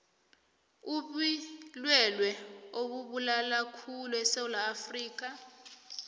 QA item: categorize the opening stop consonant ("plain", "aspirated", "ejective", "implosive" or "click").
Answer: implosive